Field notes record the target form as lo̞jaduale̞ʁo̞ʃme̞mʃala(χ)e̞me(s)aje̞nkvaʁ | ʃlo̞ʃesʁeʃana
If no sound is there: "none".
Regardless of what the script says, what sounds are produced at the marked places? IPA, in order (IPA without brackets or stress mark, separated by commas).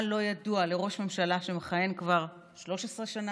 ʃ, χ